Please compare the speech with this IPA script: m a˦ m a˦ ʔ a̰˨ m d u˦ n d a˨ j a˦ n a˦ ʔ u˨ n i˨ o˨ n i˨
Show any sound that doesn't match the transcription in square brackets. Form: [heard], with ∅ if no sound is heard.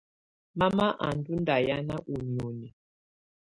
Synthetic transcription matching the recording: m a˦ m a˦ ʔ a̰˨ [n] d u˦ n d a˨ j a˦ n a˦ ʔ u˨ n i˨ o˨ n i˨